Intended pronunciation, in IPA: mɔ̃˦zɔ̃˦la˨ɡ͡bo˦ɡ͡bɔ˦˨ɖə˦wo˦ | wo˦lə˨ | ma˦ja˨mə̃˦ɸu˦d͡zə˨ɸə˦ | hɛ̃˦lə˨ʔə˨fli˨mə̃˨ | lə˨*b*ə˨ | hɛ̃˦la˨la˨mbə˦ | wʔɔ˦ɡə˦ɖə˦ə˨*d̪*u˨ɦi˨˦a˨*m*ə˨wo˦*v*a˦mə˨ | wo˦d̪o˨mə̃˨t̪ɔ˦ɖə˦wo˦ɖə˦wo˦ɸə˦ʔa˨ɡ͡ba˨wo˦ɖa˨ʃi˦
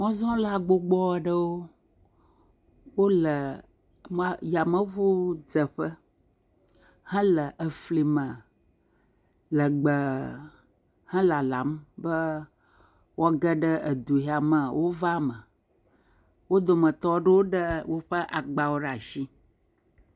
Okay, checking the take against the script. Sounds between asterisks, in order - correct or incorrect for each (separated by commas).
incorrect, correct, correct, correct